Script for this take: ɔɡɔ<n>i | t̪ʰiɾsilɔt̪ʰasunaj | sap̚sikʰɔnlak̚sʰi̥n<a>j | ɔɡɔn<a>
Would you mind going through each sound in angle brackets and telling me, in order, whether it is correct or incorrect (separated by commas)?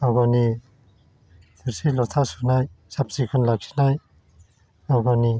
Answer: correct, correct, incorrect